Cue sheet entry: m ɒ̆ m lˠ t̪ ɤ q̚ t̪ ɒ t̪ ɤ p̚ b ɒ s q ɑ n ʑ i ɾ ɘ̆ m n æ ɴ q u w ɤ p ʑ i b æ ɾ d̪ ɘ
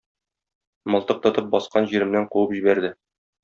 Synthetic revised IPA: m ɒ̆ lˠ t̪ ɤ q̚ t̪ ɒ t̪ ɤ p̚ b ɒ s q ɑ n ʑ i ɾ ɘ̆ m n æ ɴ q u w ɤ p ʑ i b æ ɾ d̪ ɘ

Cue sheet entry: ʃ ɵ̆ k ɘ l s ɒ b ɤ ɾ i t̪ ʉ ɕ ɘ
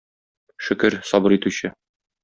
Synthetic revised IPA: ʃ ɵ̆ k ɘ ɾ s ɒ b ɤ ɾ i t̪ ʉ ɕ ɘ

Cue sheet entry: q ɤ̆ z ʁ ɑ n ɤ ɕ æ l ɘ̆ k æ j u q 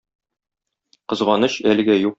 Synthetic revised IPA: q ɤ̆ z ʁ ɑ n ɤ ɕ æ l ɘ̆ ɡ æ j u q

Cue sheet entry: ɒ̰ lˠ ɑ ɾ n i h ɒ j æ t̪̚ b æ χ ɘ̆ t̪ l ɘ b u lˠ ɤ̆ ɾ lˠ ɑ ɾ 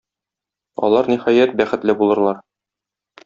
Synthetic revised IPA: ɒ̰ lˠ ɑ ɾ n i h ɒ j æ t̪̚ b æ χ ɘ̆ t̪ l ɘ b u lˠ ɤ̆ ɾ lˠ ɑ ɾ

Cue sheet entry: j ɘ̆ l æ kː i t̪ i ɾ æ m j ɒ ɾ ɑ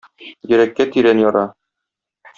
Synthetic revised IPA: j ɘ̆ ɾ æ kː æ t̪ i ɾ æ n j ɒ ɾ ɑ

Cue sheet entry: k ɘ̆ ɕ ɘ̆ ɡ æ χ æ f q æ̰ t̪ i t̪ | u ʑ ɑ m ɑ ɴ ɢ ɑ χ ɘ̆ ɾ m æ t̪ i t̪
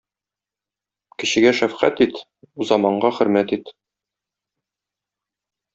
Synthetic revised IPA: k ɘ̆ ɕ ɘ̆ ɡ æ ʃ æ f q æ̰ t̪ i t̪ | u z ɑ m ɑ ɴ ɢ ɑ χ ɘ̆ ɾ m æ t̪ i t̪

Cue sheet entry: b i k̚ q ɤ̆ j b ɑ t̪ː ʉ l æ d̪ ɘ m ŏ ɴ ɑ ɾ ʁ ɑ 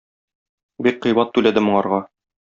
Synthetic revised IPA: b i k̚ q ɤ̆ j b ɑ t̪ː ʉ l æ d̪ ɘ m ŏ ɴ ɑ ɾ ʁ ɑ

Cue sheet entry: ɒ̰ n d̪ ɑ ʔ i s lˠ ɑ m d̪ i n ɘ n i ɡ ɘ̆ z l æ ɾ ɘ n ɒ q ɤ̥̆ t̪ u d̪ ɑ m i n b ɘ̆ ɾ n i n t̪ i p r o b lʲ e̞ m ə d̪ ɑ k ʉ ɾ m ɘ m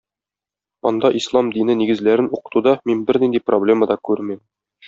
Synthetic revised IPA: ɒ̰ n d̪ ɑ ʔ i s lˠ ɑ m d̪ i n ɘ n i ɡ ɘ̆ z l æ ɾ ɘ n u q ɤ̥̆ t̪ u d̪ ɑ m i n b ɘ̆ ɾ n i n d̪ i p r o b lʲ e̞ m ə d̪ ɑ k ʉ ɾ m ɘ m

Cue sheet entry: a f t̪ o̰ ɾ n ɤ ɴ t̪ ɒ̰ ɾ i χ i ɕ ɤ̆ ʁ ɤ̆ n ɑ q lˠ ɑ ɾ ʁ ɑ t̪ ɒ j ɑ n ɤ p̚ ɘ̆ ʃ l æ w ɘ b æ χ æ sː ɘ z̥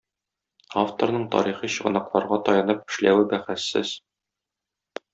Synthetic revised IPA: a f t̪ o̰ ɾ n ɤ ɴ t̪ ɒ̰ ɾ i χ i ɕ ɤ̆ ʁ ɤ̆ n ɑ q lˠ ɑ ɾ ʁ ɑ t̪ ɒ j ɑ n ɤ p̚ ɘ̆ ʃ l æ w ɘ b æ χ æ sː ɘ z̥

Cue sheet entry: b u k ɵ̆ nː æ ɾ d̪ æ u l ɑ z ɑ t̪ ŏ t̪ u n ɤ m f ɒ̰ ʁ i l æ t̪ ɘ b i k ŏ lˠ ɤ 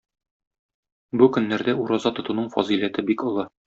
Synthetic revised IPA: b u k ɵ̆ nː æ ɾ d̪ æ u ɾ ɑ z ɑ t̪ ŏ t̪ u n ɤ ɴ f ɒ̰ z i l æ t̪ ɘ b i k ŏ lˠ ɤ

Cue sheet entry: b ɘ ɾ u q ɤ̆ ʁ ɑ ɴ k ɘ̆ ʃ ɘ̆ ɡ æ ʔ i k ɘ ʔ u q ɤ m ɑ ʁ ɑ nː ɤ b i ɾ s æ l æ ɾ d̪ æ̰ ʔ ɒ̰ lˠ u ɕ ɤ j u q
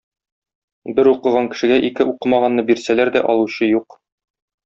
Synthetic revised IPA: b ɘ ɾ u q ɤ̆ ʁ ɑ ŋ k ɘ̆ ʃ ɘ̆ ɡ æ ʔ i k ɘ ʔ u q ɤ m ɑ ʁ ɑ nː ɤ b i ɾ s æ l æ ɾ d̪ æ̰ ʔ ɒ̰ lˠ u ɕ ɤ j u q

